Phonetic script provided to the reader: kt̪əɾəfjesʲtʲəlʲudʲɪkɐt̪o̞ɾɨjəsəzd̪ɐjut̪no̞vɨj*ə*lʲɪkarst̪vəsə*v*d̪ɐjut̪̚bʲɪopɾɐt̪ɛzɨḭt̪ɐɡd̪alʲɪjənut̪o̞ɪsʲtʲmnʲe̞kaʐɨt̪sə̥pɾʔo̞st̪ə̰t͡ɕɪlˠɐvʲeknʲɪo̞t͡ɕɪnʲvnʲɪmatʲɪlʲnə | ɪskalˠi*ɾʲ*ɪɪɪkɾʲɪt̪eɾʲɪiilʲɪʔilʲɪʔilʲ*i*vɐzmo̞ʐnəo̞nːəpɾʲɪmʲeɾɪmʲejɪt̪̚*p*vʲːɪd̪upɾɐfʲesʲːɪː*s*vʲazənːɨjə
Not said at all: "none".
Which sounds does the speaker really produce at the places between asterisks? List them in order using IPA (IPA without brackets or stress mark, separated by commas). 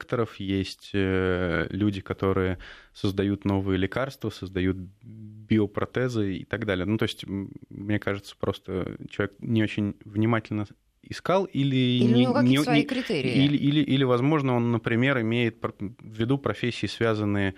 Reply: ə, z, lʲ, ɪ, p, s